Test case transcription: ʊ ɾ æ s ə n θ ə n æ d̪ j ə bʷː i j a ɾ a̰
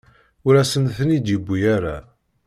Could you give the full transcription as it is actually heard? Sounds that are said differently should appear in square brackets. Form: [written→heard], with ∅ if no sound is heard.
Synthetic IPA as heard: ʊ ɾ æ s ə n θ ə n [æ→i] d̪ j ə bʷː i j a ɾ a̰